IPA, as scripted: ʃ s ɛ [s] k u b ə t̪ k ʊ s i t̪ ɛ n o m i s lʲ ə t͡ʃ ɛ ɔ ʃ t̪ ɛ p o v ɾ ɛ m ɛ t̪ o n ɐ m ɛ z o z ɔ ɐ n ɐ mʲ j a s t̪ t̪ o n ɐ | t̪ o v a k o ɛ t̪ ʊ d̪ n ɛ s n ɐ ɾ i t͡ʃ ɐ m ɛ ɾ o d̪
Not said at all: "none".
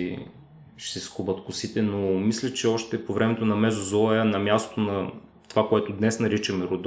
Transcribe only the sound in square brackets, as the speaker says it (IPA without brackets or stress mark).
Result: s